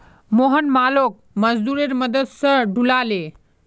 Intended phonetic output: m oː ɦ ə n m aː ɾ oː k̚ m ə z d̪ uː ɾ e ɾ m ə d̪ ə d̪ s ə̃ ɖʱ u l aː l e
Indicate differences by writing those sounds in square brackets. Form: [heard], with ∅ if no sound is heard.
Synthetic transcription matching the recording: m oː ɦ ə n m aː [l] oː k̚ m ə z d̪ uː ɾ e ɾ m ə d̪ ə d̪ s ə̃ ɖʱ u l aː l e